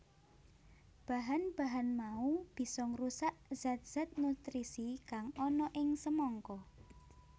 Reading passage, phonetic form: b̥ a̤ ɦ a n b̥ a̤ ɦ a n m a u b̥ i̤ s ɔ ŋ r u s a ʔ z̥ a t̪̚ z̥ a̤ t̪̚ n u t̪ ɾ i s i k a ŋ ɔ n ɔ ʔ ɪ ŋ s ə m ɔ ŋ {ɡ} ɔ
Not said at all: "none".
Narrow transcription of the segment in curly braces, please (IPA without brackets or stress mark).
k